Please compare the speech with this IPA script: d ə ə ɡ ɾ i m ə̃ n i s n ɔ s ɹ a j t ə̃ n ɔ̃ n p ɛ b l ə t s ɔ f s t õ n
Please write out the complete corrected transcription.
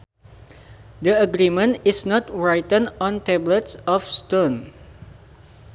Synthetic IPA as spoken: d ə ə ɡ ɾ i m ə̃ n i s n ɔ t ɹ a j t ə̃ n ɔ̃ n t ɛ b l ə t s ɔ f s t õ n

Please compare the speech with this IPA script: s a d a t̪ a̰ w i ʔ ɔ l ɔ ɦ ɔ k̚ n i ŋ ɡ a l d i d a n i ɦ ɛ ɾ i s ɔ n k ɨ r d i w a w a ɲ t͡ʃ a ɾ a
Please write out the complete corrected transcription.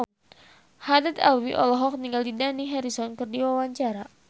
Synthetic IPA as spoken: h a d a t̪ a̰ w i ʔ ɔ l ɔ ɦ ɔ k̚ n i ŋ ɡ a l d i d a n i ɦ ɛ ɾ i s ɔ n k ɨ r d i w a w a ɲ t͡ʃ a ɾ a

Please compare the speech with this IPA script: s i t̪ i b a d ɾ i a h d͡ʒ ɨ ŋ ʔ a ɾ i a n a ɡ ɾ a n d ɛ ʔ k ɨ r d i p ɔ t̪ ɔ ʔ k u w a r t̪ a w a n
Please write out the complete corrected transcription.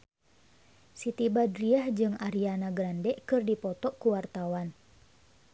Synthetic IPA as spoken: s i t̪ i b a d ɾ i a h d͡ʒ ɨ ŋ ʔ a ɾ i a n a ɡ ɾ a n d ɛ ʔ k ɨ r d i p ɔ t̪ ɔ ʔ k u w a r t̪ a w a n

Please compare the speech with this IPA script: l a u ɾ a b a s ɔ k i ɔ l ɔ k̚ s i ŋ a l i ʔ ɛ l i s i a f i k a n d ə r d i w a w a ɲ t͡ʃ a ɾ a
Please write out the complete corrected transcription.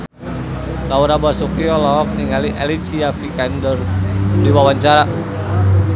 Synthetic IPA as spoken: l a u ɾ a b a s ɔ k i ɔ l ɔ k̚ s i ŋ a l i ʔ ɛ l i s i a f i k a n d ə r d i w a w a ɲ t͡ʃ a ɾ a

